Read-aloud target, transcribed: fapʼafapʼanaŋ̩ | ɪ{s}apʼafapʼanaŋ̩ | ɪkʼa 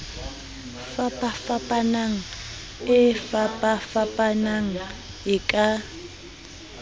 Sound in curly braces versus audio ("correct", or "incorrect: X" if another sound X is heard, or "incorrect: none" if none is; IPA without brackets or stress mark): incorrect: f